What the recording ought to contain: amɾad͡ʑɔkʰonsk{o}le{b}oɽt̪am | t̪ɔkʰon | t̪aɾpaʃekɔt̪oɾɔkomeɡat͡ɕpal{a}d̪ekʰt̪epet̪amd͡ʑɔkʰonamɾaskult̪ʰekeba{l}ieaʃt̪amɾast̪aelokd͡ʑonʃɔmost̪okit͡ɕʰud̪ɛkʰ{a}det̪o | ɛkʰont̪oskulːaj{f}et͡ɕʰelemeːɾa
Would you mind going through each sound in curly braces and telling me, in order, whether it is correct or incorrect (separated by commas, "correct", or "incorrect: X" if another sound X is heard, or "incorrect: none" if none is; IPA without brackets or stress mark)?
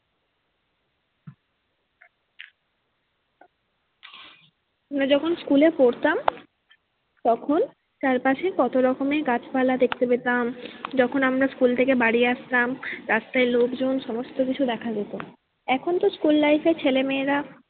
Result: incorrect: u, incorrect: p, correct, incorrect: ɽ, correct, correct